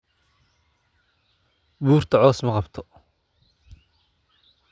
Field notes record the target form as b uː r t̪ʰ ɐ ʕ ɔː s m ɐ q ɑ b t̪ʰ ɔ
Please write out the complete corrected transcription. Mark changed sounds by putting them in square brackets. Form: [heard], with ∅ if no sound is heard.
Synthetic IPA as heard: b uː r t̪ʰ ɐ ʕ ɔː s m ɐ q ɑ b t̪ʰ ɔ

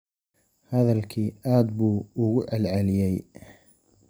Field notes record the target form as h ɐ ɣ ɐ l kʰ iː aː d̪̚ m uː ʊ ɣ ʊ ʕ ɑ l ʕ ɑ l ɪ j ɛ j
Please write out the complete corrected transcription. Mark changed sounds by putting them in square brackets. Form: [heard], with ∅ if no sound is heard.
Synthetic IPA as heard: h ɐ [ð] ɐ l kʰ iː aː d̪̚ [b] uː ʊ ɣ ʊ ʕ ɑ l ʕ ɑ l ɪ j ɛ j

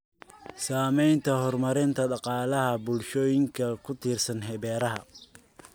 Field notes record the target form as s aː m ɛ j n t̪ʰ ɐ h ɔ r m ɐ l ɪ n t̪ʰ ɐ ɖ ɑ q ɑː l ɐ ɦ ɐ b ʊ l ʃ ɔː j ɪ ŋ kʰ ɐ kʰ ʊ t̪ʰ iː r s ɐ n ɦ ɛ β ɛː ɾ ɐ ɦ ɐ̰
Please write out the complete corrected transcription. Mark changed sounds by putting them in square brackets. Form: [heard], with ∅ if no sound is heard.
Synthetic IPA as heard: s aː m ɛ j n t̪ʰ ɐ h ɔ r m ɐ [ɾ] ɪ n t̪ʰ ɐ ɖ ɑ q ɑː l ɐ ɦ ɐ b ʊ l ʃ ɔː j ɪ ŋ kʰ ɐ kʰ ʊ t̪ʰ iː r s ɐ n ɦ ɛ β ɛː ɾ ɐ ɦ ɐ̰

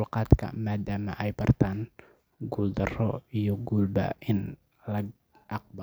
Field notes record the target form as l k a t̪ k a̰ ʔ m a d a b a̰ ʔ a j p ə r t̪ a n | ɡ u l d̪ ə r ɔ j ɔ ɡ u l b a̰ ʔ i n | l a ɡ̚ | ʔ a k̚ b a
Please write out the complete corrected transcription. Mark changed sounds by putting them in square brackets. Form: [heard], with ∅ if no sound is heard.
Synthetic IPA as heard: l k a t̪ k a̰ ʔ m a d a [m] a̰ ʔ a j p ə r t̪ a n | ɡ u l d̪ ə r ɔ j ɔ ɡ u l b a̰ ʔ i n | l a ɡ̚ | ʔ a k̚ b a

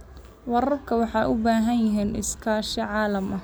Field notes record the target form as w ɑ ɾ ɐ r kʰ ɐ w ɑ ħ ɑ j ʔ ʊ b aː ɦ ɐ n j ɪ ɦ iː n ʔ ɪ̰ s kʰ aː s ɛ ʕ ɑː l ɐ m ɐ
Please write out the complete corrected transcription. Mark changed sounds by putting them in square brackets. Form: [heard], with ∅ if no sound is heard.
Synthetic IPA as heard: w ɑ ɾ ɐ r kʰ ɐ w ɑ ħ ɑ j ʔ ʊ b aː ɦ ɐ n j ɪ ɦ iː n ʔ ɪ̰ s kʰ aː [ʃ] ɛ ʕ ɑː l ɐ m ɐ

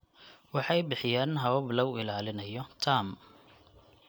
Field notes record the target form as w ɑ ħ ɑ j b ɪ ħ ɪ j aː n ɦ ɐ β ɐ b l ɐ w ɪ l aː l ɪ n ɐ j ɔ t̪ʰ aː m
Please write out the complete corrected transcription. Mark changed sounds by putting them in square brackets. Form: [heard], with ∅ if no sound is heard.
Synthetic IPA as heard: w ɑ ħ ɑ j b ɪ ħ ɪ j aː n ɦ ɐ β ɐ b l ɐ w ɪ l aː l ɪ n ɐ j ɔ t̪ʰ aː m

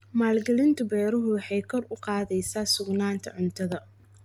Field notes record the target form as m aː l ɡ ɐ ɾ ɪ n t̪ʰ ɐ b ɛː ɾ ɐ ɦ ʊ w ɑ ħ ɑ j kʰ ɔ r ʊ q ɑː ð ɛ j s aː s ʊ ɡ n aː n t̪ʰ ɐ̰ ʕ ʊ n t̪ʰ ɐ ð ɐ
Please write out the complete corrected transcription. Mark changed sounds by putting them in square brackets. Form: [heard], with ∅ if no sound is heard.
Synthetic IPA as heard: m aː l ɡ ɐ [l] ɪ n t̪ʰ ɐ b ɛː ɾ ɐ ɦ ʊ w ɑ ħ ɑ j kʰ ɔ r ʊ q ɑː ð ɛ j s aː s ʊ ɡ n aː n t̪ʰ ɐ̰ ʕ ʊ n t̪ʰ ɐ ð ɐ

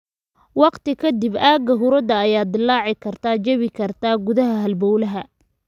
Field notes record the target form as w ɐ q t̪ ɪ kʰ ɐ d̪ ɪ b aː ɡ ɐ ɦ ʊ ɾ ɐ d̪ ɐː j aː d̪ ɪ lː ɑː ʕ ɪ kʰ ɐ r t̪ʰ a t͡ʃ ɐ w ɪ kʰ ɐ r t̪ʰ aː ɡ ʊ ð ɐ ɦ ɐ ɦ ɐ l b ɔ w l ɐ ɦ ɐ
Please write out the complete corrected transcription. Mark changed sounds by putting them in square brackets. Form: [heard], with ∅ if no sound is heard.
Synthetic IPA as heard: w [ɑ] q t̪ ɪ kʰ ɐ d̪ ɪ b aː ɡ ɐ ɦ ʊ ɾ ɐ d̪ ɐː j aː d̪ ɪ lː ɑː ʕ ɪ kʰ ɐ r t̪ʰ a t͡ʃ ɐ [β] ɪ kʰ ɐ r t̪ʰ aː ɡ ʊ ð ɐ ɦ ɐ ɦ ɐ l b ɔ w l ɐ ɦ ɐ

